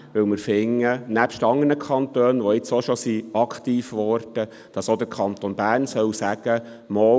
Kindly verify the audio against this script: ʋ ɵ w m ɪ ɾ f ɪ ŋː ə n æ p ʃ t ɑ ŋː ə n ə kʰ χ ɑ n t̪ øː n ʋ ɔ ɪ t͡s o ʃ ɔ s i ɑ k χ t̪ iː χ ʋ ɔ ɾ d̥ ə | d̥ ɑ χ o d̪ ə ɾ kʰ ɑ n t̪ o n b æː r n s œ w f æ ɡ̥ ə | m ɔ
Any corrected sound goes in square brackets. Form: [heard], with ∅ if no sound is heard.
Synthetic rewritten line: ʋ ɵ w m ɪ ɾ f ɪ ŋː ə n æ p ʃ t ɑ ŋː ə n ə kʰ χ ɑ n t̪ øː n ʋ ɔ ɪ t͡s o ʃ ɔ s i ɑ k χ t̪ iː [f] ʋ ɔ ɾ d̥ ə | d̥ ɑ [s] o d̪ ə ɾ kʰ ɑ n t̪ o n b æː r n s œ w [s] æ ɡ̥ ə | m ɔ